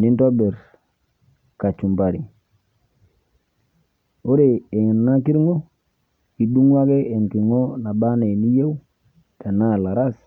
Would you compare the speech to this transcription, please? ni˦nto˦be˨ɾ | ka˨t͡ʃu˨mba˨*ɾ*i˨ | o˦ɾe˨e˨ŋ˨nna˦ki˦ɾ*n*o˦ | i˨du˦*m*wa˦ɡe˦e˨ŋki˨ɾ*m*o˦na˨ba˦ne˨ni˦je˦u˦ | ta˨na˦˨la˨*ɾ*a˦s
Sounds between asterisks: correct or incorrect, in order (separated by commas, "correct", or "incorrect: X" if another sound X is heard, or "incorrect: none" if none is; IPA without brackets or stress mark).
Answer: correct, incorrect: ŋ, incorrect: ŋ, incorrect: ŋ, correct